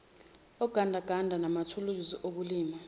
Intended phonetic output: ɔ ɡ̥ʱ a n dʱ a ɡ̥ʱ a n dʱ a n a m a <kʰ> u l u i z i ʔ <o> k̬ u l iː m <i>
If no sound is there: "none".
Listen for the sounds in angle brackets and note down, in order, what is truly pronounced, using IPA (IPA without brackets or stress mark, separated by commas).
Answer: tʰ, o, a